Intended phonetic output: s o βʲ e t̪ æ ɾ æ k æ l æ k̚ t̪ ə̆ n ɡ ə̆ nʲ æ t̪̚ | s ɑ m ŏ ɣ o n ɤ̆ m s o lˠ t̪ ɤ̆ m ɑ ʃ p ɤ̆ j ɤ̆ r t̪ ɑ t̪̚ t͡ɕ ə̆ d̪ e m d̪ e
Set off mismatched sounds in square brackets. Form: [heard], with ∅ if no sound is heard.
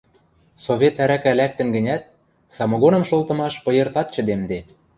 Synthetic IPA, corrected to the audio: s o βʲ e t̪ æ ɾ æ k æ l æ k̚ t̪ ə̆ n ɡ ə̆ nʲ æ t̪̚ | s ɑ m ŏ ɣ o n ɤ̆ m [ʃ] o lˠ t̪ ɤ̆ m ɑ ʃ p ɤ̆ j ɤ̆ r t̪ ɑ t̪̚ t͡ɕ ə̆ d̪ e m d̪ e